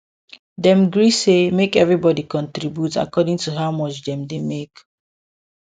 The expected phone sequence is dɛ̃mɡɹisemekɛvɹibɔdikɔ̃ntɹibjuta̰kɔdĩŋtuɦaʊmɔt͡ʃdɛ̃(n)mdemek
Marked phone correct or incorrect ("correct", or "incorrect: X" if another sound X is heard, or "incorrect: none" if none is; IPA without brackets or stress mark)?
incorrect: none